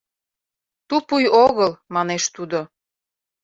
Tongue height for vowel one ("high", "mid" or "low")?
high